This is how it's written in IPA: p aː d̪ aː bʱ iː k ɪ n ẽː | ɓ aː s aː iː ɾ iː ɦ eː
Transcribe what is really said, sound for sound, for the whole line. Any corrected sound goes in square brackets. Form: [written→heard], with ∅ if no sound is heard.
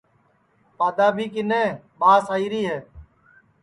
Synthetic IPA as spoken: p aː d̪ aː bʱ iː k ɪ n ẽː | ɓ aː s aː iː ɾ iː ɦ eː